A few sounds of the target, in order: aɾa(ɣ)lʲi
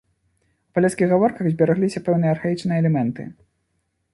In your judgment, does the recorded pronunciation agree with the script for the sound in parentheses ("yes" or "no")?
yes